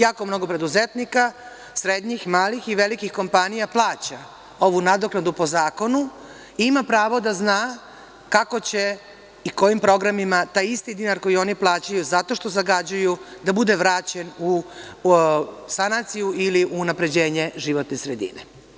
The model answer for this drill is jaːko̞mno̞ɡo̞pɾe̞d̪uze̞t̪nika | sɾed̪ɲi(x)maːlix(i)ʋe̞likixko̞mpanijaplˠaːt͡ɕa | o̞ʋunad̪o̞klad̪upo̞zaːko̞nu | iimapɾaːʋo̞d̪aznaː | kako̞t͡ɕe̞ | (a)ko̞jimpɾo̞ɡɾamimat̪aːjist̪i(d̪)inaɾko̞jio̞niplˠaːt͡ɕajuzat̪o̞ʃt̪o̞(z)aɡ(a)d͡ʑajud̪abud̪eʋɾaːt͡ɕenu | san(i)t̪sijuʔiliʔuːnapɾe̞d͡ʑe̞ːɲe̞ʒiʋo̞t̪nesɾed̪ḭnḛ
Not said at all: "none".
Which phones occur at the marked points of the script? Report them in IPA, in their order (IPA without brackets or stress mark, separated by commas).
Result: x, i, i, d̪, z, a, a